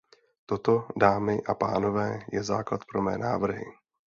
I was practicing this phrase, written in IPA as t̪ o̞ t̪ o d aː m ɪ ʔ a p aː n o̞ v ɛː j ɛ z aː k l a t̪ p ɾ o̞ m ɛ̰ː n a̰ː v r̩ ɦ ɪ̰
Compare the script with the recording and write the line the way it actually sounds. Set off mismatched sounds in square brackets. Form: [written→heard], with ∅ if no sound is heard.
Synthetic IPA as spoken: t̪ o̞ t̪ o d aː m ɪ ʔ a p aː n o̞ v ɛː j ɛ z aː k l a t̪ p ɾ o̞ m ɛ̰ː n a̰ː v r̩ ɦ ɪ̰